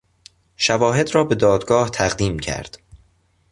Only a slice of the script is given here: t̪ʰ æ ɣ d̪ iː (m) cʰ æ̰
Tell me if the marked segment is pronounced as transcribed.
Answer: yes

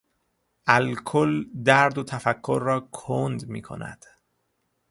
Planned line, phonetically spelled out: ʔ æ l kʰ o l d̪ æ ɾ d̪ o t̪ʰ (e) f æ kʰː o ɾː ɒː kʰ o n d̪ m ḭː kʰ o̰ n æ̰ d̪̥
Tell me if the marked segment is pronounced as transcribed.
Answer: no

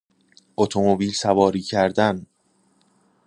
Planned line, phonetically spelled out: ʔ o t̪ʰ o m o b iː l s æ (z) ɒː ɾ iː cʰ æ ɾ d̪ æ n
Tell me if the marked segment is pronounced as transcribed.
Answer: no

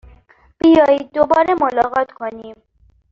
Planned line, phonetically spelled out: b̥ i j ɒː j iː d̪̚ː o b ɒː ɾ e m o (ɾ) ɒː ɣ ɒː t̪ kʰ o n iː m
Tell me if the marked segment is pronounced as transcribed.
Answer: no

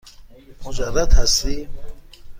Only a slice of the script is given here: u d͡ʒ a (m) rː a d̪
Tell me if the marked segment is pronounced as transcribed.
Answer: no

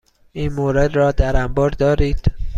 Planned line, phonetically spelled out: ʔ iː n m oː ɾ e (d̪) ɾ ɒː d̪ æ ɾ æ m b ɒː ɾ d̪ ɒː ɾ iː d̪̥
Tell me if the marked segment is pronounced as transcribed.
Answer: yes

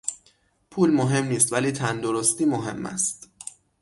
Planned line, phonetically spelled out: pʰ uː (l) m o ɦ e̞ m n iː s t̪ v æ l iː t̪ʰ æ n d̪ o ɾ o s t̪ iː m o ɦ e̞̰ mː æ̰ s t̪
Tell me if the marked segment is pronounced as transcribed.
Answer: yes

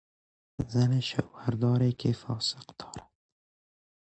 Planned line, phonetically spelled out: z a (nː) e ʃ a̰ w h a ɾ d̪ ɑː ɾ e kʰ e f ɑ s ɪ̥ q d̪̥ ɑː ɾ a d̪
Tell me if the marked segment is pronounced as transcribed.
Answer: no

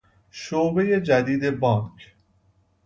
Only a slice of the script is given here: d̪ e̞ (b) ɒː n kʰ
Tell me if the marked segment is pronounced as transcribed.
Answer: yes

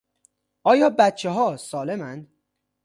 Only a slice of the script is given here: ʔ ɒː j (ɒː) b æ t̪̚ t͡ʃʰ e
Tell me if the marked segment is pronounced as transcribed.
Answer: yes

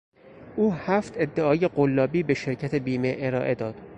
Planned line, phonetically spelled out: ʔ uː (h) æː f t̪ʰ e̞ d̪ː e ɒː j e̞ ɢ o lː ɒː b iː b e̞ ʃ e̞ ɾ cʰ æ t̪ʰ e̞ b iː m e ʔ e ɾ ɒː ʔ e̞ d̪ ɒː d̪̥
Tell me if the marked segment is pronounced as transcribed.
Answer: yes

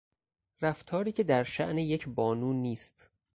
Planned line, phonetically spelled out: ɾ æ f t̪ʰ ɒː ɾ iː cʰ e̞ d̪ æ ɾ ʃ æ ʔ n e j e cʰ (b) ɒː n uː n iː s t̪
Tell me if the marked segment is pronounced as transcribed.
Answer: yes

